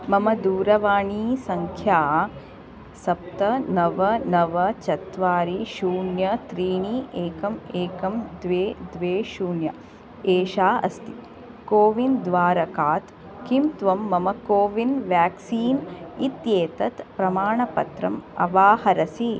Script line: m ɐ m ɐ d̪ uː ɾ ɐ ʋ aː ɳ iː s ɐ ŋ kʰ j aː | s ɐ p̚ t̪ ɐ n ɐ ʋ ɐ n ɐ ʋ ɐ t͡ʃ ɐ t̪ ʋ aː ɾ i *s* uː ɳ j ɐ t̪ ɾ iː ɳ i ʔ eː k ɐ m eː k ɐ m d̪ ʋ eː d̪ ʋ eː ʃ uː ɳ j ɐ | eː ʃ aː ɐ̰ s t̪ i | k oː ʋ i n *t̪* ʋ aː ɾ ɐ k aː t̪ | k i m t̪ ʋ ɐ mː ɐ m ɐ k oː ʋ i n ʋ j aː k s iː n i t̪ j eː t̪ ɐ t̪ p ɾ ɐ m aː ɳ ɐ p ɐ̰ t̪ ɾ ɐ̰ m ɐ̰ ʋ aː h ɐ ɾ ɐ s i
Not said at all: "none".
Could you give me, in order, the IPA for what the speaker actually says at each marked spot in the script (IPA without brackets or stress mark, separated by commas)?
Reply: ʃ, d̪